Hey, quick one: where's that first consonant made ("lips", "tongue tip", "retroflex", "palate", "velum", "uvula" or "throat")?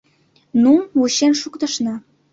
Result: tongue tip